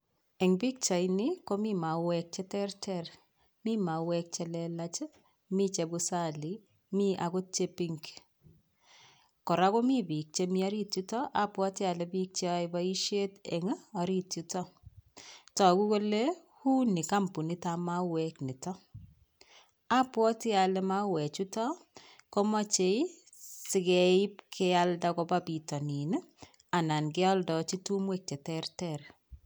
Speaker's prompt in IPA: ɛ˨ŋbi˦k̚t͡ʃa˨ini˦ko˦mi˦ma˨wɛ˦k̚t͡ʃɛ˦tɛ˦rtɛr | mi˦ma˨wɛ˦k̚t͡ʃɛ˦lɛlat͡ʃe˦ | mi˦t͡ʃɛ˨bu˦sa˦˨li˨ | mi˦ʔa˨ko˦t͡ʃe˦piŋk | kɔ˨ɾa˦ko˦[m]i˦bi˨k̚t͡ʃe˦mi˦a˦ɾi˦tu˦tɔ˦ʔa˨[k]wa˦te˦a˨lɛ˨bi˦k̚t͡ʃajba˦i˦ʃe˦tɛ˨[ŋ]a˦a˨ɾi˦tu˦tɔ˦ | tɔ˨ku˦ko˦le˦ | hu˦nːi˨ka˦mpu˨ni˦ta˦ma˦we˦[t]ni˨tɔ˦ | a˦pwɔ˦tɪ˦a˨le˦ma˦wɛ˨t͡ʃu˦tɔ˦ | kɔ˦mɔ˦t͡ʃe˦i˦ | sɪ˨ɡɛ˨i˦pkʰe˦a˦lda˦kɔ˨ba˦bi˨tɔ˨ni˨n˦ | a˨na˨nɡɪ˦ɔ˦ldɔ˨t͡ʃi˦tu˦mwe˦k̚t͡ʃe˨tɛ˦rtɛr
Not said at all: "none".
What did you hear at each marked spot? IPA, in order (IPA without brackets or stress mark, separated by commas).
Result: m, p, ŋ, k